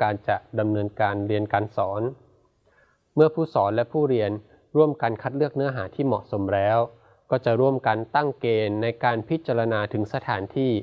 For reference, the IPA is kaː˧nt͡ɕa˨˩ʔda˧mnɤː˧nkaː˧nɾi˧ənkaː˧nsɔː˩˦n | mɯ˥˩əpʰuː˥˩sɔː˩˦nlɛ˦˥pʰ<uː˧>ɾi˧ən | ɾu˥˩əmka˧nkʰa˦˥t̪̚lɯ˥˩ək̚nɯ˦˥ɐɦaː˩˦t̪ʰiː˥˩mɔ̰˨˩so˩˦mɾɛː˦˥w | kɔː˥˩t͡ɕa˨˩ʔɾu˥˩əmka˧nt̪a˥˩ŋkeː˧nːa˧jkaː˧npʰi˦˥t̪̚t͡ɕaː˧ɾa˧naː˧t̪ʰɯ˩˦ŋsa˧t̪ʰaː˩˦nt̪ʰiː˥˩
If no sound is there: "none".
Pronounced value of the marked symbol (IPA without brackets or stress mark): uː˥˩